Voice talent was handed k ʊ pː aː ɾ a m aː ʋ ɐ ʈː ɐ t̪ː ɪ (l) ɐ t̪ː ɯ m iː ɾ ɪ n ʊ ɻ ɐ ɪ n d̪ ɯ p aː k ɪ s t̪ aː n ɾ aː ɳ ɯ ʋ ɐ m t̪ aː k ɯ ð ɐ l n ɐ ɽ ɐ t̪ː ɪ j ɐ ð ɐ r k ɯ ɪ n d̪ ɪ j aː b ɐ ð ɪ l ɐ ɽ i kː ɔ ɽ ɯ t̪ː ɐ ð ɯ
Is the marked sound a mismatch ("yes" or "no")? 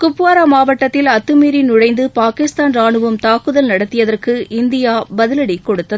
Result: no